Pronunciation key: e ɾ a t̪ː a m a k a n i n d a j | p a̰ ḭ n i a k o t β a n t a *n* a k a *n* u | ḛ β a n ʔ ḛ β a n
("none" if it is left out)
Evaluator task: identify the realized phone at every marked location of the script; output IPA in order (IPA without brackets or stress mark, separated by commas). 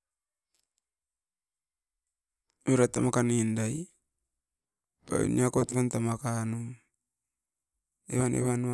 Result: m, n